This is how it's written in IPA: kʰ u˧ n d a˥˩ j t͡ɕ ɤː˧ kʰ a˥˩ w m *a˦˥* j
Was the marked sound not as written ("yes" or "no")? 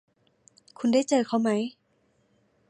no